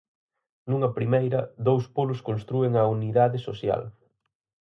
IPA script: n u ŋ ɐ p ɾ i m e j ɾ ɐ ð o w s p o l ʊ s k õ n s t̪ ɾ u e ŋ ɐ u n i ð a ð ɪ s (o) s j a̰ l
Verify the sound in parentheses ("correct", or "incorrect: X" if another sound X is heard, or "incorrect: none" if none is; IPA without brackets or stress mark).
correct